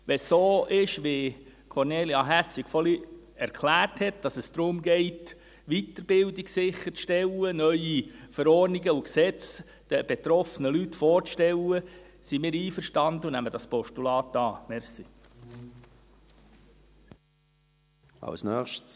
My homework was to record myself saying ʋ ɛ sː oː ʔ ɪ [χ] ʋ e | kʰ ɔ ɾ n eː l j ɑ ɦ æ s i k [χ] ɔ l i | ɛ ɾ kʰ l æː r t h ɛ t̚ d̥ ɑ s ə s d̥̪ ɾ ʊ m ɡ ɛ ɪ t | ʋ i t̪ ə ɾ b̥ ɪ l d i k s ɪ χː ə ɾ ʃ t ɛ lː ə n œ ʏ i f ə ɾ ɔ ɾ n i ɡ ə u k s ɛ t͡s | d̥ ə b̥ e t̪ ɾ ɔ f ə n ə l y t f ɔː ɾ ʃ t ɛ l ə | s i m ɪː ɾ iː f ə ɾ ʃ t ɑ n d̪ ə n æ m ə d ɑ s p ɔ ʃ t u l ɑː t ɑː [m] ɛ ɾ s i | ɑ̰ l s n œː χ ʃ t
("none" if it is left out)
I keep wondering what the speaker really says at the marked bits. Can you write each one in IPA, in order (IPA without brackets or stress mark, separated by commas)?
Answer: ʃ, f, m